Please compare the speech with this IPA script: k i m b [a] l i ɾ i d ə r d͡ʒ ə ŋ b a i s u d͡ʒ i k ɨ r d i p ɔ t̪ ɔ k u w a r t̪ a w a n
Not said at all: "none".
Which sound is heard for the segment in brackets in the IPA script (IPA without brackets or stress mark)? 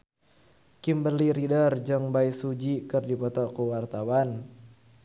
ə